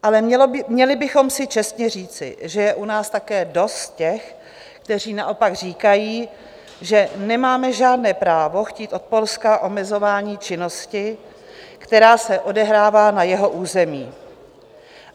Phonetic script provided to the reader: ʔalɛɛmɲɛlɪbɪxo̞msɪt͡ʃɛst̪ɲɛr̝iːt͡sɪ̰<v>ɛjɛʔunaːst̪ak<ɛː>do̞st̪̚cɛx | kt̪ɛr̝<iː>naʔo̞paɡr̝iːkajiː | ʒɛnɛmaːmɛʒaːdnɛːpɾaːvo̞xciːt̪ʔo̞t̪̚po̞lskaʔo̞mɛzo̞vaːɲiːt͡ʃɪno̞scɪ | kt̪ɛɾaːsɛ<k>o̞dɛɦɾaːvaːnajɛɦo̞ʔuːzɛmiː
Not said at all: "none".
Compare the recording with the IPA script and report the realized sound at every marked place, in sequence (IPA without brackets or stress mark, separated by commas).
ʒ, ɛː, iː, ʔ